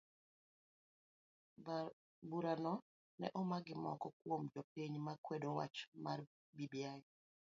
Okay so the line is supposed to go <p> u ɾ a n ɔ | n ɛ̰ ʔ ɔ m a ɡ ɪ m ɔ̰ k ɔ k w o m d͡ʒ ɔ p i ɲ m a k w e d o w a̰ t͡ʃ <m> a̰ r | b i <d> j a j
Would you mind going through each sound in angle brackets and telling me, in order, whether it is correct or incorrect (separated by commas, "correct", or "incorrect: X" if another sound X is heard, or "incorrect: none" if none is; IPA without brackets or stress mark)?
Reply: incorrect: b, correct, incorrect: b